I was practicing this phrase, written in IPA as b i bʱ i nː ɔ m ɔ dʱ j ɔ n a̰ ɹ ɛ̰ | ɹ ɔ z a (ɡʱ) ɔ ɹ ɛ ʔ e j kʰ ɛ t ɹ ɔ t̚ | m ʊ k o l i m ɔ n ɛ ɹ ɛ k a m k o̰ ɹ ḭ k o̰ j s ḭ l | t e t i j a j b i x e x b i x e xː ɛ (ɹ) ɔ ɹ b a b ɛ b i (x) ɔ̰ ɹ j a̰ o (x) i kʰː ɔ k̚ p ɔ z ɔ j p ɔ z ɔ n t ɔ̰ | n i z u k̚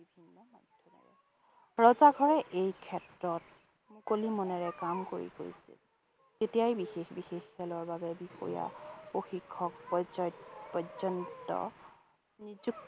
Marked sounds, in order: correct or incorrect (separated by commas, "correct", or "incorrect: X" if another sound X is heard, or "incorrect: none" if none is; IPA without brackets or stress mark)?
correct, incorrect: l, correct, correct